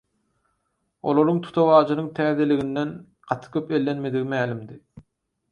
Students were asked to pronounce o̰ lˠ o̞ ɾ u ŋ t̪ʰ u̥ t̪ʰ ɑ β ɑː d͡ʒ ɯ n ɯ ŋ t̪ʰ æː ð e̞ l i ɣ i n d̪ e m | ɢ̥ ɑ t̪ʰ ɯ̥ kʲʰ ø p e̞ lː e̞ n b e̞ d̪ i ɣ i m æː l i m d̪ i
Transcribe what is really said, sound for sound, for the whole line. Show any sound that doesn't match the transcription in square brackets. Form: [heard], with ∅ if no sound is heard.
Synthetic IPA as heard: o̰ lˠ o̞ ɾ u ŋ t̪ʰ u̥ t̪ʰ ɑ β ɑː d͡ʒ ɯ n ɯ ŋ t̪ʰ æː ð e̞ l i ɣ i n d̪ e [n] | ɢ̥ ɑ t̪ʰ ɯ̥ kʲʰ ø p e̞ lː e̞ n [m] e̞ d̪ i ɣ i m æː l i m d̪ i